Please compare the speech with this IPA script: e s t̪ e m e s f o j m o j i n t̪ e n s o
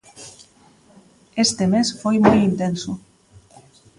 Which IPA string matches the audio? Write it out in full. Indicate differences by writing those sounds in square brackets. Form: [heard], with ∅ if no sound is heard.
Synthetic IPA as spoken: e s t̪ e m e s f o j m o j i n t̪ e n s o